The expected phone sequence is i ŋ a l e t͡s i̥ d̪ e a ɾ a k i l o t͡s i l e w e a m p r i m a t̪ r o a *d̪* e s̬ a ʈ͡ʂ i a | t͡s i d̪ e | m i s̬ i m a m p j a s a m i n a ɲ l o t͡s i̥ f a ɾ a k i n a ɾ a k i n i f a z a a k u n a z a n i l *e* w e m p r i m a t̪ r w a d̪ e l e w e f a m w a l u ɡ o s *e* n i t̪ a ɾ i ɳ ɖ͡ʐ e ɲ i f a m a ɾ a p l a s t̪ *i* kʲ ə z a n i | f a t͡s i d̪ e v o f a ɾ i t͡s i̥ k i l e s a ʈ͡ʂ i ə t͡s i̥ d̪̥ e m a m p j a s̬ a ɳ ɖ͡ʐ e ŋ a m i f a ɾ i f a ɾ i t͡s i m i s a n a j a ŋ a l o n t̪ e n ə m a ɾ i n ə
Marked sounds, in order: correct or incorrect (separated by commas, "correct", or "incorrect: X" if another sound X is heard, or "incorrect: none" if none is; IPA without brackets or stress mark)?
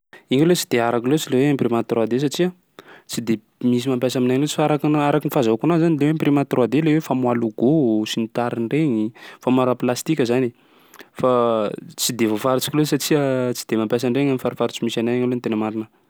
correct, correct, incorrect: i, correct